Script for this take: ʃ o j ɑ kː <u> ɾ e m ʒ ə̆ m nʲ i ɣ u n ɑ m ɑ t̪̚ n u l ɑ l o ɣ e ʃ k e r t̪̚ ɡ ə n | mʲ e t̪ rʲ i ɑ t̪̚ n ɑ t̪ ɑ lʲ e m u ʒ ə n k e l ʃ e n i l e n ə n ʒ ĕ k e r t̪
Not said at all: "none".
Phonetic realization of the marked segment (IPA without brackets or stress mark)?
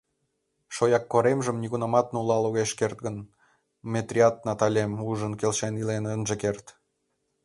o